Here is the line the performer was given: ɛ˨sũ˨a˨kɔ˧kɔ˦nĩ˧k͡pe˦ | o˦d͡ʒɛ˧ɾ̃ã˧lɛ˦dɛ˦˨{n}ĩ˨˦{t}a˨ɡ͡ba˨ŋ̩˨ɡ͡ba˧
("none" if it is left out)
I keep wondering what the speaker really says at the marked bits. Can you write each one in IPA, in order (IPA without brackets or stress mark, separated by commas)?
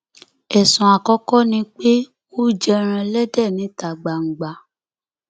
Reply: n, t